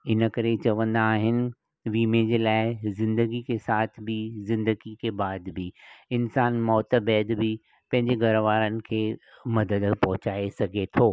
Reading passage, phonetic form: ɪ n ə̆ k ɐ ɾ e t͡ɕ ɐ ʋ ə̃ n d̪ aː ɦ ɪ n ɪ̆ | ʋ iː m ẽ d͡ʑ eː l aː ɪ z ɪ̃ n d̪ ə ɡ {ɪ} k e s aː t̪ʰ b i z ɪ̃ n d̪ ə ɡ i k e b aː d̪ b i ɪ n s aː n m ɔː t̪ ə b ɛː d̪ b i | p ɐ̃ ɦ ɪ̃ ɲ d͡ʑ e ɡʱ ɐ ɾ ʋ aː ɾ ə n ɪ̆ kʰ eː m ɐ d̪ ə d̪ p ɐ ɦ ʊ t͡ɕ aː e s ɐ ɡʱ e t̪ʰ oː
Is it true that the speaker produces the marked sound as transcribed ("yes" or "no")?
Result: no